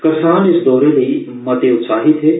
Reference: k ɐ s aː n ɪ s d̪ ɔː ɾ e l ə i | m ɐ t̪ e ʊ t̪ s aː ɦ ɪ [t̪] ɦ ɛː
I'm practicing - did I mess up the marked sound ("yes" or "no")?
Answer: no